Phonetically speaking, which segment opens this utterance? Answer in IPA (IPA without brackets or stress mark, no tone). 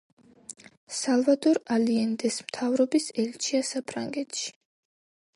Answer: s